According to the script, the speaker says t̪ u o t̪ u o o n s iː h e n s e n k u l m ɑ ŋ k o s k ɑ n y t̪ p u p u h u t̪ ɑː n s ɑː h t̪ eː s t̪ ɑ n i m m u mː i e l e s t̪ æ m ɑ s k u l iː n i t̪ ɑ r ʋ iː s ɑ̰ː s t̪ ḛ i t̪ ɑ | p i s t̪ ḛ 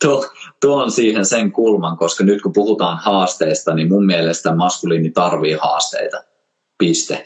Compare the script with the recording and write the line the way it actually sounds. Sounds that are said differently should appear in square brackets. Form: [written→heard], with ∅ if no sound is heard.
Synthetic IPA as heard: t̪ u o t̪ u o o n s iː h e n s e [n→ŋ] k u l m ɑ ŋ k o s k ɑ n y t̪ [p→k] u p u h u t̪ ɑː n [s→h] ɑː [h→s] t̪ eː s t̪ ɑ n i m m u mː i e l e s t̪ æ m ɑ s k u l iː n i t̪ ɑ r ʋ iː [s→h] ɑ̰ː s t̪ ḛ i t̪ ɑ | p i s t̪ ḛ